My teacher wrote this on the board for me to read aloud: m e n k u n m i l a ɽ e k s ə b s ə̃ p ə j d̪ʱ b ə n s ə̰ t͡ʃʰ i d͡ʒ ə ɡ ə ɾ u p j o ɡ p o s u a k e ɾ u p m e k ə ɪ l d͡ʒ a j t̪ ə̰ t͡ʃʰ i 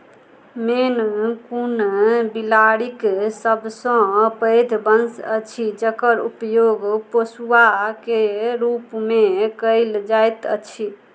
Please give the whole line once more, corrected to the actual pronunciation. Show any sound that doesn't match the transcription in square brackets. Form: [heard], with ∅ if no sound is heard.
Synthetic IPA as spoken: m e n k u n [b] i l a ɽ [i] k s ə b s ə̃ p ə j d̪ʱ b ə n s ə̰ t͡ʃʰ i d͡ʒ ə [k] ə ɾ u p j o ɡ p o s u a k e ɾ u p m e k ə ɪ l d͡ʒ a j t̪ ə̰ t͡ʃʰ i